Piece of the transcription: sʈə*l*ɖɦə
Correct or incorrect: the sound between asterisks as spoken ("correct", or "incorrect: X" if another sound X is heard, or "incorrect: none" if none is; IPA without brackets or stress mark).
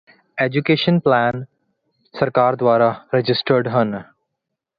incorrect: ɾ